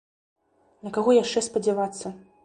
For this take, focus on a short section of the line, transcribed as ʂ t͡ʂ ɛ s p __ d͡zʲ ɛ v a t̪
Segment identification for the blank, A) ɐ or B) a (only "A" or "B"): A